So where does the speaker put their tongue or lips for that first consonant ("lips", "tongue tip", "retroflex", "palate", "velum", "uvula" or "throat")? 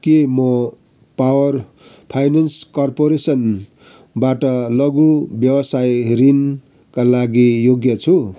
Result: velum